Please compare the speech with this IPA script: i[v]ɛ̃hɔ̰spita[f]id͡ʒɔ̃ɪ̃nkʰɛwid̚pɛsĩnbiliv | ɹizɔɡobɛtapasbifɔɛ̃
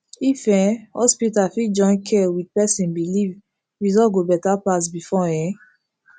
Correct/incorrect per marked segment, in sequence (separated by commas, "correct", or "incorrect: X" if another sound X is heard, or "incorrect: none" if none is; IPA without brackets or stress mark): incorrect: f, correct